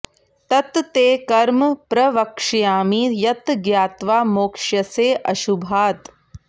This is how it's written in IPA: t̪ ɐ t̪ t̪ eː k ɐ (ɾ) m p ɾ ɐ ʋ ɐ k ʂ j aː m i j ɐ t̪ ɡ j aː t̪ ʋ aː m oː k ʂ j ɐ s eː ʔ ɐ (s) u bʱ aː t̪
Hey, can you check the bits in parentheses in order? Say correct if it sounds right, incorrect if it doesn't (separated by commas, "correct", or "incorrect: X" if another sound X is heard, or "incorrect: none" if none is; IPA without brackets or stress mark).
correct, incorrect: ʃ